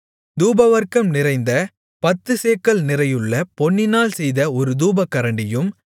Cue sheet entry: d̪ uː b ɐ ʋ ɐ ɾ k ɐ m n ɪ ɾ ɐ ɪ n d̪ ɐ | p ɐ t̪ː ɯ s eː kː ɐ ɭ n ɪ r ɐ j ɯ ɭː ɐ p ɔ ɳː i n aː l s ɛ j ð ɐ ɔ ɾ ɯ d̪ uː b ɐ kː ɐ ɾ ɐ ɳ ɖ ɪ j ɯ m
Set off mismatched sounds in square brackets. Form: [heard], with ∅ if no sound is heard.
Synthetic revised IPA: d̪ uː b ɐ ʋ ɐ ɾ k ɐ m n ɪ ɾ ɐ ɪ n d̪ ɐ | p ɐ t̪ː ɯ s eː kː ɐ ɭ n ɪ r ɐ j ɯ ɭː ɐ p ɔ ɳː [ɪ] n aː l s ɛ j ð ɐ ɔ ɾ ɯ d̪ uː b ɐ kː ɐ ɾ ɐ ɳ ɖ ɪ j ɯ m